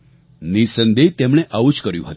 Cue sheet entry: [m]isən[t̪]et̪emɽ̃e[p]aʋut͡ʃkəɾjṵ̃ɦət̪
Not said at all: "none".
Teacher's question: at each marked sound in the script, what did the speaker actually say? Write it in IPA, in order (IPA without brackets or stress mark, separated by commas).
n, d̪, ʔ